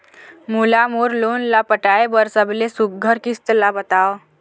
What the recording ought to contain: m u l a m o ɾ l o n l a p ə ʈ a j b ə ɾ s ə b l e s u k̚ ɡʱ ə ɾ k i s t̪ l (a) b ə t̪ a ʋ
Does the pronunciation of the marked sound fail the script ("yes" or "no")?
no